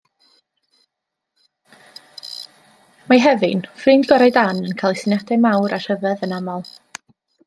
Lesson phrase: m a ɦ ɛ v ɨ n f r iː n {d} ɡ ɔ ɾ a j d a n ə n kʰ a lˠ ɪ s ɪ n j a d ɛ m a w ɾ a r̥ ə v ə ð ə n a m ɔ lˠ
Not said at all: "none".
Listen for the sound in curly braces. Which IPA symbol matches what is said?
d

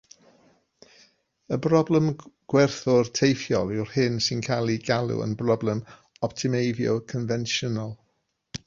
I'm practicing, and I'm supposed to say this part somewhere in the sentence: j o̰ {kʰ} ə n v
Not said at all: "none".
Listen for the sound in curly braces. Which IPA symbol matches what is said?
kʰ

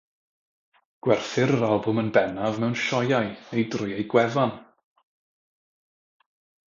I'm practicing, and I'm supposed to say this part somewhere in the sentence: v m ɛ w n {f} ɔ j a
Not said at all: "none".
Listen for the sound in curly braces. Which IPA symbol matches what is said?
ʃ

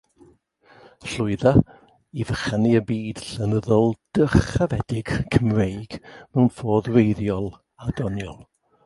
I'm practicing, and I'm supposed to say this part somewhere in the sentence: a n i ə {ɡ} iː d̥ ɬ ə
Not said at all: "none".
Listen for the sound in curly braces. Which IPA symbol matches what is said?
b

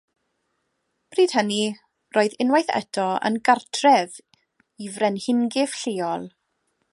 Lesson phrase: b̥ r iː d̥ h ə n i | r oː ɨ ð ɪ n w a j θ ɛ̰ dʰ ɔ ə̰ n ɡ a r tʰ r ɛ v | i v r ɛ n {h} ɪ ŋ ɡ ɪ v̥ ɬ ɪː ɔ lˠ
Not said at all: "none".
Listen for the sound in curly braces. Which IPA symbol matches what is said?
h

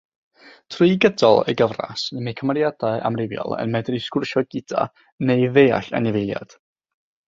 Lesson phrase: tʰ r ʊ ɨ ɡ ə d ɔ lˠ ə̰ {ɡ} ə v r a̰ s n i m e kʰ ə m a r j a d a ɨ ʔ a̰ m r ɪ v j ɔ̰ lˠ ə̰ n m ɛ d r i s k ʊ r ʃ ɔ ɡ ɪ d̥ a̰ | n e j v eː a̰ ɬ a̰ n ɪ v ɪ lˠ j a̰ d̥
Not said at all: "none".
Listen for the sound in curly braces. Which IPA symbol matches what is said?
ɡ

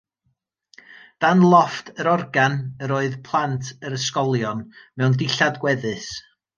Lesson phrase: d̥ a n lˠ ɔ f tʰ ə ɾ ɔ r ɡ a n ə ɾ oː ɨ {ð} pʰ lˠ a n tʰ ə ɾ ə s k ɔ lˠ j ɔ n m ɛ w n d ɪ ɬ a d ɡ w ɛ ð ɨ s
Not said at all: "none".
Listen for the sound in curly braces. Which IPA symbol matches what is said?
ð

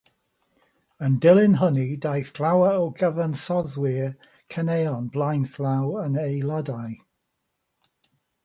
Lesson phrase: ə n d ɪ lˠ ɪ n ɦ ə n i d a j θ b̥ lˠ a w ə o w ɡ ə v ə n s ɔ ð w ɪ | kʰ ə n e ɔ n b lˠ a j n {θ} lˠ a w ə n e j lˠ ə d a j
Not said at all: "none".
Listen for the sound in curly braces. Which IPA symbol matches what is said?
θ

